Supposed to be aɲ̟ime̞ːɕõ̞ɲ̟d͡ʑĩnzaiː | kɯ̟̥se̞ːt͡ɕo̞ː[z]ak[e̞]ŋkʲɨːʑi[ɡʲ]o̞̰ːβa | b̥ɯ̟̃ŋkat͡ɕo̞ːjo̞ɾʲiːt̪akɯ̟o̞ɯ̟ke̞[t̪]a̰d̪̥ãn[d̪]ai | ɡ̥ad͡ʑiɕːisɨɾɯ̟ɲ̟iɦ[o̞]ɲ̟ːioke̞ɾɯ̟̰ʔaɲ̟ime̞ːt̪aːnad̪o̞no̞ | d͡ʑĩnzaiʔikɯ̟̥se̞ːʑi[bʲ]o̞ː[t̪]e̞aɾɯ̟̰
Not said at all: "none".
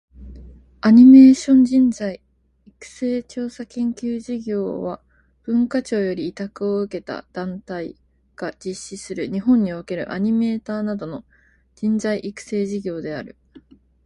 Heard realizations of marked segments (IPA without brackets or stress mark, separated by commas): s, ẽ̞, ɡʲ, t̪, t̪, õ̞, ɡʲ, d̪